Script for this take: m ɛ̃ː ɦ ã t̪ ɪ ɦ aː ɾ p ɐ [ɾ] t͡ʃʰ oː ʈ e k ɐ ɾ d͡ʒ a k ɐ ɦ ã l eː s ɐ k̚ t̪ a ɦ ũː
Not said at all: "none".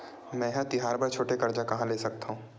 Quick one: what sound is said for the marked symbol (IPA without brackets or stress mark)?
ɾ